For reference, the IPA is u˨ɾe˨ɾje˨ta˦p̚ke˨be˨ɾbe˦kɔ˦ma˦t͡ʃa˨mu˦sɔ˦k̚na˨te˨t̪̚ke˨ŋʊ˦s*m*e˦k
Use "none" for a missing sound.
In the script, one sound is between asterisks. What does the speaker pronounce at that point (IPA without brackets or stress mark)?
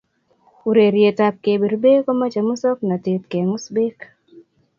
b